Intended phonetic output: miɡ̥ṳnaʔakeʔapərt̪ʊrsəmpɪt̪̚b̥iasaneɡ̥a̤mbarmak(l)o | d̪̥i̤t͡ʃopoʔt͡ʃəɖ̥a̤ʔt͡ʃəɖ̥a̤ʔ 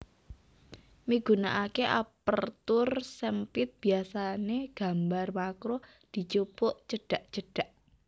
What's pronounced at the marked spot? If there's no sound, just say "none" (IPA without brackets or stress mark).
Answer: ɾ